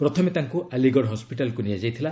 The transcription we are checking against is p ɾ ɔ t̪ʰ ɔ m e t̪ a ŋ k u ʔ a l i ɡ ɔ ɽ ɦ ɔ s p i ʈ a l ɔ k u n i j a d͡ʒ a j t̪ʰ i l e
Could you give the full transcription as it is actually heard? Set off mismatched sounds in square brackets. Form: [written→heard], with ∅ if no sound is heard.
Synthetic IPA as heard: p ɾ ɔ t̪ʰ ɔ m e t̪ a ŋ k u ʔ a l i ɡ ɔ ɽ ɦ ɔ s p i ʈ a l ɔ k u n i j a d͡ʒ a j t̪ʰ i l [e→a]